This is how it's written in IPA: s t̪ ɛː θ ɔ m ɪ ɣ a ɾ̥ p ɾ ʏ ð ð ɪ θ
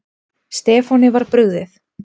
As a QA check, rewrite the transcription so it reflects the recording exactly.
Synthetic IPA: s t̪ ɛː f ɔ n ɪ v a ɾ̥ p ɾ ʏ ɣ ð ɪ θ